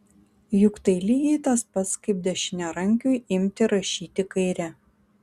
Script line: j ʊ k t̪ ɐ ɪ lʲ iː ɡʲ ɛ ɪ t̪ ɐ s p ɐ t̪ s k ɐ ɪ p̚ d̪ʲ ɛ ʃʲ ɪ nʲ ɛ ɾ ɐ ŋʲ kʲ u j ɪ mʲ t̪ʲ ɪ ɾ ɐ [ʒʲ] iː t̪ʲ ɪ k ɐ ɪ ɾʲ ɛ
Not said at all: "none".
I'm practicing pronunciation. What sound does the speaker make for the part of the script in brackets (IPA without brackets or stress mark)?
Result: ʃʲ